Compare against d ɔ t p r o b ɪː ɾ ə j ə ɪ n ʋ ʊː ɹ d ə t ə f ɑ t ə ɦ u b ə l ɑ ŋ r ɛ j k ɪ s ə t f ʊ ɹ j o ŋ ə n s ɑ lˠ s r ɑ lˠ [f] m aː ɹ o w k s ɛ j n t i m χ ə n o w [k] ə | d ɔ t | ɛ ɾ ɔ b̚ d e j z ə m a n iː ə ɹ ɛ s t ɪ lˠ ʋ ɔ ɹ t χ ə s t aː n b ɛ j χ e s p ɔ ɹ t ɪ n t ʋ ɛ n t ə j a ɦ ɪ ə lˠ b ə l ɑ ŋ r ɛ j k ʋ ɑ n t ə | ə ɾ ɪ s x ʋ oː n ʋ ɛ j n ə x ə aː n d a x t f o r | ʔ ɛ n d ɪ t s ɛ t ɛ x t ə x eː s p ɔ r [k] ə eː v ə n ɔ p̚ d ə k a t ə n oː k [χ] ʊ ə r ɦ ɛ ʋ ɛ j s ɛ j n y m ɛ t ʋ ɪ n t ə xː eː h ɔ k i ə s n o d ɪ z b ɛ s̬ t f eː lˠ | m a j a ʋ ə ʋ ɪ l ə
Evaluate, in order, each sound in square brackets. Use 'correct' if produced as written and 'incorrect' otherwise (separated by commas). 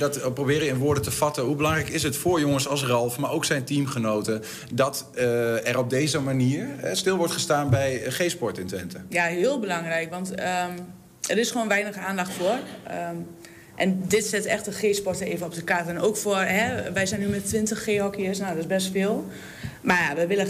correct, incorrect, incorrect, incorrect